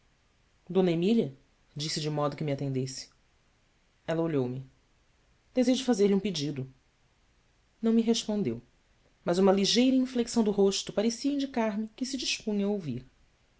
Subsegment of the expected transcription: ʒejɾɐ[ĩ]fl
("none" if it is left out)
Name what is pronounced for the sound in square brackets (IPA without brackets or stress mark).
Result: ĩ